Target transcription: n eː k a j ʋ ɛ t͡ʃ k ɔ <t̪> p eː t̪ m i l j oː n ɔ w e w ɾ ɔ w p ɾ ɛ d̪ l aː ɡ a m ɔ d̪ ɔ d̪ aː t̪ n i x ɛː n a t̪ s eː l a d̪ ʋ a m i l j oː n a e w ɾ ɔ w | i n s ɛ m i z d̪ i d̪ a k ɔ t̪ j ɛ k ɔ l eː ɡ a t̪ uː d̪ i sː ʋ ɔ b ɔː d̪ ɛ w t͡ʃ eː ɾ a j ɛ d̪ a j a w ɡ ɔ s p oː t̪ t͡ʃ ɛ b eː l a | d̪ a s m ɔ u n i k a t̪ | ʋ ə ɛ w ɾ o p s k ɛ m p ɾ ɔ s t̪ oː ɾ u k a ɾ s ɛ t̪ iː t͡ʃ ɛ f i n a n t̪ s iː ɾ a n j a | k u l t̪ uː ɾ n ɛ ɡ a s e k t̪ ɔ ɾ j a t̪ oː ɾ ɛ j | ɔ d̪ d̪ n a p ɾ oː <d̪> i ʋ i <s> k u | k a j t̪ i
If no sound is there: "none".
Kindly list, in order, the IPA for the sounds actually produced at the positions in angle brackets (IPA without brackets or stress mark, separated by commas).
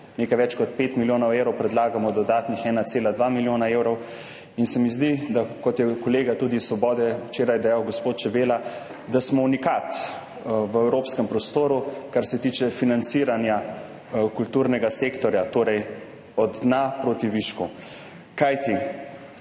t̪, t̪, ʃ